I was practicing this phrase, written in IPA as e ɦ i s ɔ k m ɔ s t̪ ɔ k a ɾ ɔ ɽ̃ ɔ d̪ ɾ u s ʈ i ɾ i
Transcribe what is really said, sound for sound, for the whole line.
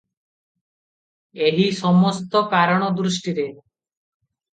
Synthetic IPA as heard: e ɦ i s ɔ m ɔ s t̪ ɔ k a ɾ ɔ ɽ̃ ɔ d̪ ɾ u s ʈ i ɾ e